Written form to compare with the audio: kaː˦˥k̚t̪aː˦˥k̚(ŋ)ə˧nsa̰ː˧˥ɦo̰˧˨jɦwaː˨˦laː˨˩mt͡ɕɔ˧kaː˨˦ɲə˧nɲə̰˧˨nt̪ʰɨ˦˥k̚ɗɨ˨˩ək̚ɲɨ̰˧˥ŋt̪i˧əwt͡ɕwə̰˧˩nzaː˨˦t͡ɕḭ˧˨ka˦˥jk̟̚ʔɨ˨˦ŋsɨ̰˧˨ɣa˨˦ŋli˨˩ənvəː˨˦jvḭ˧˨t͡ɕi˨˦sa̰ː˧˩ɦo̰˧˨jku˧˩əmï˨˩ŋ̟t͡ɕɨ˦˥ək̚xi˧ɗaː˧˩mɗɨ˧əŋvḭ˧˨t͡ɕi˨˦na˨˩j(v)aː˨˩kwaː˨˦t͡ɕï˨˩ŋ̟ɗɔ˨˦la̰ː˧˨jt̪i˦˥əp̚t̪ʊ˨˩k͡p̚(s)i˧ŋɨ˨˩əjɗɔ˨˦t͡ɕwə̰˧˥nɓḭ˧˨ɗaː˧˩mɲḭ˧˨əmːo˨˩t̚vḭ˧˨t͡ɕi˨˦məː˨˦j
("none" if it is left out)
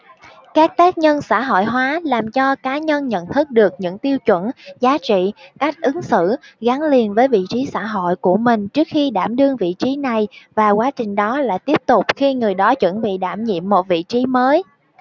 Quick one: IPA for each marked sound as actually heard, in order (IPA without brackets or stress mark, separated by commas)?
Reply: ɲ, v, x